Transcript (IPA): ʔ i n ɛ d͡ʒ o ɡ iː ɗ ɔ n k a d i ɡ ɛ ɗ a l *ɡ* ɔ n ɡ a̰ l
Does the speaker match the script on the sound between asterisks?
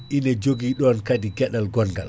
yes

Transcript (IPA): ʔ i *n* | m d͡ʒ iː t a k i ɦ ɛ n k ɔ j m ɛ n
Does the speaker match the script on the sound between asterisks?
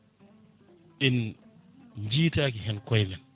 yes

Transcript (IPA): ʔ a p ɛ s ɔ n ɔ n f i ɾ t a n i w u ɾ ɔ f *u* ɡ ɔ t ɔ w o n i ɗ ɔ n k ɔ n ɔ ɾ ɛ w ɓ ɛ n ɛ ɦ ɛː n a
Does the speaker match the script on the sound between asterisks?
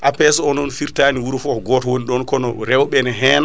no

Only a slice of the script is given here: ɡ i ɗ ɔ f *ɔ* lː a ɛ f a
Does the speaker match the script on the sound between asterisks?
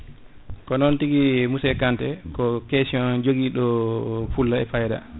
no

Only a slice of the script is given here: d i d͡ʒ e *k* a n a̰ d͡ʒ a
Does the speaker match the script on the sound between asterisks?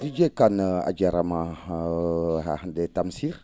yes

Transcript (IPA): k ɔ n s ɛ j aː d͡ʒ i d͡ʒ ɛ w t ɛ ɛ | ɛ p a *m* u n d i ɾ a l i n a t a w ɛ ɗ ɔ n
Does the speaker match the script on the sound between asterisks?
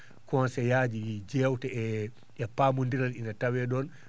yes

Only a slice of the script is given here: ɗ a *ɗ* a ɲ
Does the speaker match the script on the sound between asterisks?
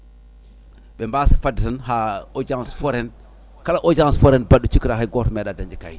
no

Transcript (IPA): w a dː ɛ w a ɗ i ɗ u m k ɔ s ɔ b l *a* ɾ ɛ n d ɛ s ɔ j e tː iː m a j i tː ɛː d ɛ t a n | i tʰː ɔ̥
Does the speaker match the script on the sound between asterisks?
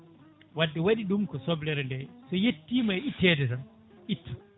no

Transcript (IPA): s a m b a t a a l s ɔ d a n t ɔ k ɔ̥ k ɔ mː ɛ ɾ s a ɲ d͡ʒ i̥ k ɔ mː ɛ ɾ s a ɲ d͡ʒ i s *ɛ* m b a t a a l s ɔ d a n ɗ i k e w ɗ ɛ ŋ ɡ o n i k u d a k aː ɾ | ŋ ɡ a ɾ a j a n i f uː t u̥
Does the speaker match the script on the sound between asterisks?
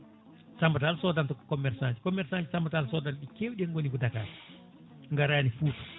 no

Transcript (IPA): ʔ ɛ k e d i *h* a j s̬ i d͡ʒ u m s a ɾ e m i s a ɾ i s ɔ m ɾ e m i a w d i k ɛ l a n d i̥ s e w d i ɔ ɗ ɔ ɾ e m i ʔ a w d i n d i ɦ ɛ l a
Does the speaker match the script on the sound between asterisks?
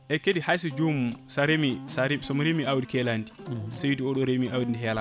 yes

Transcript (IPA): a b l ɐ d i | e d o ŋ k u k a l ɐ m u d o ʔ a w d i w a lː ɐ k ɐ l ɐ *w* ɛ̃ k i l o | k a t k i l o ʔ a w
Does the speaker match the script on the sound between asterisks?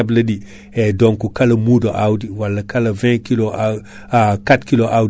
no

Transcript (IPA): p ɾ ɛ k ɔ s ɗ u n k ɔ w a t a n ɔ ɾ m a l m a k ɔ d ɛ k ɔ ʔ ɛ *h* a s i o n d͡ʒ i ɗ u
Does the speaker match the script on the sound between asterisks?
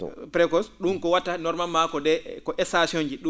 no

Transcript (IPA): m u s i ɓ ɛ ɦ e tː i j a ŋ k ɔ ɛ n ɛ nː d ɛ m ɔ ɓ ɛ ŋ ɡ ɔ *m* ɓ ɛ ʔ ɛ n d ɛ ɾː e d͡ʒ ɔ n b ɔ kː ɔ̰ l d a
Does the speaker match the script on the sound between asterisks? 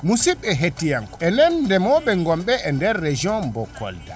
yes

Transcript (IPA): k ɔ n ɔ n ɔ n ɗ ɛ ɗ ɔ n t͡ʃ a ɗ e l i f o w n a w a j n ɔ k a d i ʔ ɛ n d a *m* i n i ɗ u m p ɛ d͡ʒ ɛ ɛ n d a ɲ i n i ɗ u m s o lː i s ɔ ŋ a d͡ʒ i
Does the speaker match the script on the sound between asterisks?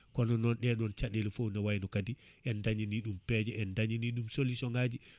no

